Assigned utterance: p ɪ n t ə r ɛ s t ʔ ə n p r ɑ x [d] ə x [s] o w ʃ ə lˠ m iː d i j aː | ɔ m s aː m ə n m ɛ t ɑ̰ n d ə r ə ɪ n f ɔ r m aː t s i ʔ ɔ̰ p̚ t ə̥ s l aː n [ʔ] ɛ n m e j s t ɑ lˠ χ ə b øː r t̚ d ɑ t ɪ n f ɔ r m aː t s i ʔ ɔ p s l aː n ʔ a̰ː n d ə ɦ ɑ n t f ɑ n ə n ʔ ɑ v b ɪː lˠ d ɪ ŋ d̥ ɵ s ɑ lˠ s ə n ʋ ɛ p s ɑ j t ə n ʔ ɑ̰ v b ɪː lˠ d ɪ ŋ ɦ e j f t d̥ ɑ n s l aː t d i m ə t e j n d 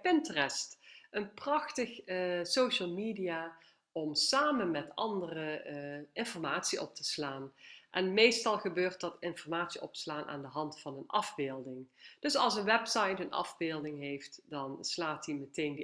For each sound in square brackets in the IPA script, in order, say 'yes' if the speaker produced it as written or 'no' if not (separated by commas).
no, yes, yes